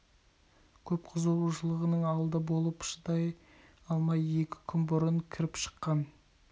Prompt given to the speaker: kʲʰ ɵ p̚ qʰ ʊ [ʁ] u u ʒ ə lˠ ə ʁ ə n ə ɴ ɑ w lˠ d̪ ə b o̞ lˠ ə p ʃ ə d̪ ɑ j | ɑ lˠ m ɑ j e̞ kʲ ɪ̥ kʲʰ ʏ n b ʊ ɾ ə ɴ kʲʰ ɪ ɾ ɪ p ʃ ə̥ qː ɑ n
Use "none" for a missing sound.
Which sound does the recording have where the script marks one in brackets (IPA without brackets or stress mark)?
z